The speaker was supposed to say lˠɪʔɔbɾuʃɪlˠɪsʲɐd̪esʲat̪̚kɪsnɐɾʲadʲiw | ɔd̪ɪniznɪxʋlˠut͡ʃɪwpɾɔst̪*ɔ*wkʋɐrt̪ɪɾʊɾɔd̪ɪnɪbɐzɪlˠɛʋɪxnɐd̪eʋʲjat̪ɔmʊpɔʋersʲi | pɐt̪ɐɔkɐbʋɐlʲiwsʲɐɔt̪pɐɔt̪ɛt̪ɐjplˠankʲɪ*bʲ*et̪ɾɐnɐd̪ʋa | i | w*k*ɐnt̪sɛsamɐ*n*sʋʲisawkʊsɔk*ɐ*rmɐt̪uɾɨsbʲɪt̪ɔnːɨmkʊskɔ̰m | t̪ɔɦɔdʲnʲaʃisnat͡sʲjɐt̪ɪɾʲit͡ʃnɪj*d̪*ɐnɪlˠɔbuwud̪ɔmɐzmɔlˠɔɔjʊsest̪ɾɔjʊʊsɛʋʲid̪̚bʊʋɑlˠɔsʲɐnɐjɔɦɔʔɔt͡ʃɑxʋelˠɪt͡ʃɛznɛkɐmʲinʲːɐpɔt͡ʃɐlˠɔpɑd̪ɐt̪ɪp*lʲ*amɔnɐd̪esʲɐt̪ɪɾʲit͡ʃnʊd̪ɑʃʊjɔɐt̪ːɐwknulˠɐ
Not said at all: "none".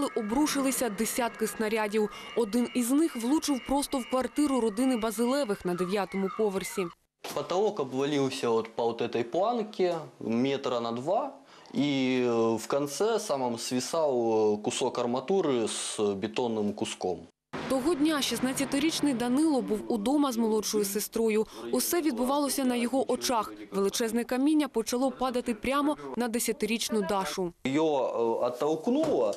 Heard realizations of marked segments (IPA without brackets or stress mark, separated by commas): ɔ, mʲ, k, m, ɐ, d̪, ɾʲ